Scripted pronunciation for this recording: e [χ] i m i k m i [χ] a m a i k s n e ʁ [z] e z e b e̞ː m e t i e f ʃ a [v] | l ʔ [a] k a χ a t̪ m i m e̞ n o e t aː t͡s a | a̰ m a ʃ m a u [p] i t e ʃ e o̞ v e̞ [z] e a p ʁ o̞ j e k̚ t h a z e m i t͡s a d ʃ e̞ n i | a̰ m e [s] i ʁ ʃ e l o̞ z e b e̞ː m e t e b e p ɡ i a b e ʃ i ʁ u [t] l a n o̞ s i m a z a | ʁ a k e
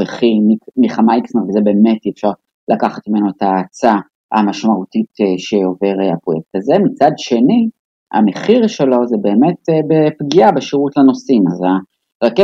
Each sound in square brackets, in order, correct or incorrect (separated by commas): correct, correct, incorrect, incorrect, correct, incorrect, incorrect, incorrect, correct